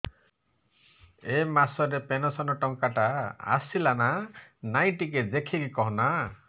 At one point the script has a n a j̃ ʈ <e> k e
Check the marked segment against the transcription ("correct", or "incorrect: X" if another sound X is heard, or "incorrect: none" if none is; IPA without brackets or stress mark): incorrect: i